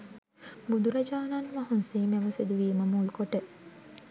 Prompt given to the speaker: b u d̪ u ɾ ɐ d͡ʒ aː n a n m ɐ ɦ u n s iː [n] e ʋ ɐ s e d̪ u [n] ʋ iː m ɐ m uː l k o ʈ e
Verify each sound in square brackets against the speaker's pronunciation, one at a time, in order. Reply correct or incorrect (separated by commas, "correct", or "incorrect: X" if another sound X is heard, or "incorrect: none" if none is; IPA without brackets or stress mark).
incorrect: m, incorrect: none